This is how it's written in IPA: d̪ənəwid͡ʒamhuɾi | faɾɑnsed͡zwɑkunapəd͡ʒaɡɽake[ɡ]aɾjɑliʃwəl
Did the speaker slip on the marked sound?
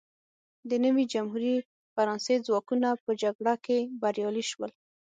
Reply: yes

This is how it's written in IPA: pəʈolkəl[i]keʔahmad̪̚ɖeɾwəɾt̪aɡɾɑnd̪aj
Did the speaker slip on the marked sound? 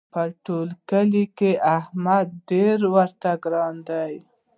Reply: no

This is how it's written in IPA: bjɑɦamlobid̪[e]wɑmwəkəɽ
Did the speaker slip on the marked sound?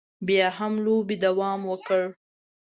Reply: yes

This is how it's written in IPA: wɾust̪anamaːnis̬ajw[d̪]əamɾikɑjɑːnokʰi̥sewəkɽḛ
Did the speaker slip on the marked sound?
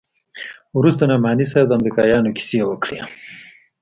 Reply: no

